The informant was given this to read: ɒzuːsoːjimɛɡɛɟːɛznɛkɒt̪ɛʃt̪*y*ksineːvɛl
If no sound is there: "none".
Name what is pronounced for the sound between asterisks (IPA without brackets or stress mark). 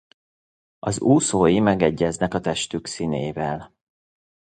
y